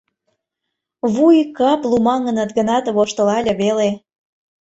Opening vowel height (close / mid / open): close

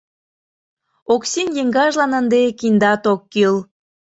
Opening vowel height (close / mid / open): mid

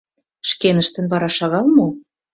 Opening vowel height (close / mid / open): mid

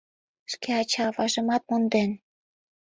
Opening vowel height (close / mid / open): mid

